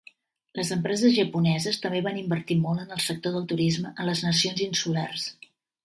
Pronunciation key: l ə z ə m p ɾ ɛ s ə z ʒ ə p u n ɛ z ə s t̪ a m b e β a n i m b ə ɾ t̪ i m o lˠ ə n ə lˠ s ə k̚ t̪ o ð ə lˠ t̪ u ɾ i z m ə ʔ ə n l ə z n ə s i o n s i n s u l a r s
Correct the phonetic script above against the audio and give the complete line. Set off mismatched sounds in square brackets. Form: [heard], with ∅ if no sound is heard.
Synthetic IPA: l ə z ə m p ɾ ɛ [z] ə z ʒ ə p u n ɛ z ə s t̪ [ə] m b e β a n i m b ə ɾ t̪ i m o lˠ ə n ə lˠ s ə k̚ t̪ o ð ə lˠ t̪ u ɾ i z m ə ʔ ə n l ə z n ə s i o n [z] i n s u l a r s